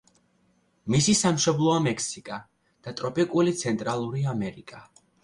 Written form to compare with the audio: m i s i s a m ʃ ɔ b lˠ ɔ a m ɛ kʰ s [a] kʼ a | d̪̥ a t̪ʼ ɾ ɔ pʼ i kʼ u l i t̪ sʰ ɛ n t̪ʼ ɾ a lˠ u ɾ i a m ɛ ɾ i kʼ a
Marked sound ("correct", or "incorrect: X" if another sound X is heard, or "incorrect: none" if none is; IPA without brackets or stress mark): incorrect: i